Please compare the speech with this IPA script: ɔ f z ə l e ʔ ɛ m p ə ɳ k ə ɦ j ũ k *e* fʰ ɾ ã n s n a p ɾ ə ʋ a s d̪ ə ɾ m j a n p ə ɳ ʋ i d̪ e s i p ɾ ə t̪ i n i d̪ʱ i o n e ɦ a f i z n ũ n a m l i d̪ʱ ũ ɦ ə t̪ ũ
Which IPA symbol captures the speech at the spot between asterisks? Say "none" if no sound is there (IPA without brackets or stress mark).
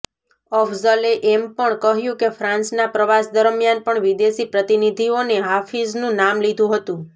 e